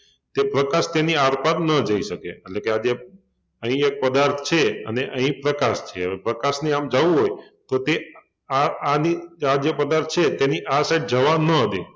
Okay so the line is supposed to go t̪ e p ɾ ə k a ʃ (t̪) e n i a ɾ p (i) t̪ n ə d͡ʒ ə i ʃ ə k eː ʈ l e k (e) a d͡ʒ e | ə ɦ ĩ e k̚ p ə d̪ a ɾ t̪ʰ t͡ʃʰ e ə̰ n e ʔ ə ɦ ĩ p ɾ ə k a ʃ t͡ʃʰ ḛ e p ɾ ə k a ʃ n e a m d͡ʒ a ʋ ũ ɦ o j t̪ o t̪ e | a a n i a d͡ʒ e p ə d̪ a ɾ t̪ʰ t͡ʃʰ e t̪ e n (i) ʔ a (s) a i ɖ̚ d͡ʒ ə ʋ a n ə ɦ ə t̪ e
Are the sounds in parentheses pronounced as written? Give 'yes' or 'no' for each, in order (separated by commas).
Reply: yes, no, yes, yes, yes